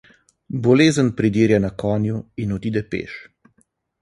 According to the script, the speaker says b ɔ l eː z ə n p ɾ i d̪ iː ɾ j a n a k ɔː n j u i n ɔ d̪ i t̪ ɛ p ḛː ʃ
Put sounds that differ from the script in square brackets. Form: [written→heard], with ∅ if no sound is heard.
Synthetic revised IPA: b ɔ l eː z ə n p ɾ i d̪ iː ɾ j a n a k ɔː n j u i n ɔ d̪ i [t̪→d̪] ɛ p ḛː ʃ